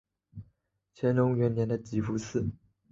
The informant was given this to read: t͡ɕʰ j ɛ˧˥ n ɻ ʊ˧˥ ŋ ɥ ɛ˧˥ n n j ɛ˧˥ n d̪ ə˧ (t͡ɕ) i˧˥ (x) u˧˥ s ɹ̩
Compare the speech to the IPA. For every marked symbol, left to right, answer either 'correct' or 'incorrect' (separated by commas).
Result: correct, incorrect